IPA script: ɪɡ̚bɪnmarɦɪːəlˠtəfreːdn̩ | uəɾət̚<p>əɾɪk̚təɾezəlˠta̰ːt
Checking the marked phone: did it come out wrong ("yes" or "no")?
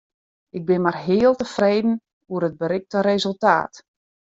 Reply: yes